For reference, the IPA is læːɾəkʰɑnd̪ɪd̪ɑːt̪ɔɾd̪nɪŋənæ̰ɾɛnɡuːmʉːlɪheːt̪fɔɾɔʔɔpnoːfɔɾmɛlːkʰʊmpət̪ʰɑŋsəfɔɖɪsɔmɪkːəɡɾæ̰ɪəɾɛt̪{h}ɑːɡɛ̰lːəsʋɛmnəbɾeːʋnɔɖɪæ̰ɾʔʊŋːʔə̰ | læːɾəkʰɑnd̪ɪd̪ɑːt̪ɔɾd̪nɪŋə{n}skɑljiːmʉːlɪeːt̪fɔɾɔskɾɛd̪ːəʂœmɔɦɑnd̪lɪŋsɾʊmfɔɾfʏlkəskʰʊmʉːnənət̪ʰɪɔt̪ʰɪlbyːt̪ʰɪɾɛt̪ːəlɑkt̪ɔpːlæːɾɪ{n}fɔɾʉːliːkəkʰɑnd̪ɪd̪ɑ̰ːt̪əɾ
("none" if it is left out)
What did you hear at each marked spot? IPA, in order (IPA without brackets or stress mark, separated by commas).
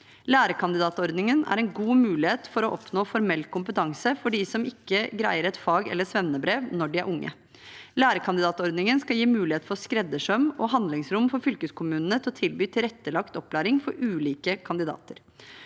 f, n, ŋ